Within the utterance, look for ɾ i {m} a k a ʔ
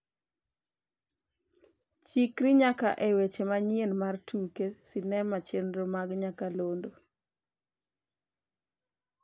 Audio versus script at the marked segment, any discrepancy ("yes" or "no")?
yes